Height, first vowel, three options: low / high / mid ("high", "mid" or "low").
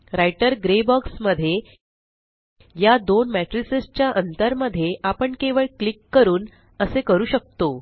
low